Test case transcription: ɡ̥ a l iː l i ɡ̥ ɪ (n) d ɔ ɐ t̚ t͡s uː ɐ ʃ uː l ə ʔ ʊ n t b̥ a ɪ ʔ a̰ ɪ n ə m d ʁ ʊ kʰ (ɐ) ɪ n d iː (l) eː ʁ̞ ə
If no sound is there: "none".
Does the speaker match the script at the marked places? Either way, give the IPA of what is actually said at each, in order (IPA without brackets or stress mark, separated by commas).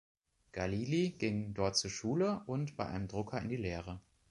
ŋ, ɐ, l